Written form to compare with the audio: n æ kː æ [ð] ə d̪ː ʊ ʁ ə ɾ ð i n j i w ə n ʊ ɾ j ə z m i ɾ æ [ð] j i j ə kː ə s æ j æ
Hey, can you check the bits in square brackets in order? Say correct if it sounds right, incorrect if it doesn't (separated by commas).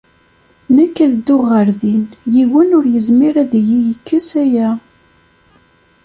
correct, correct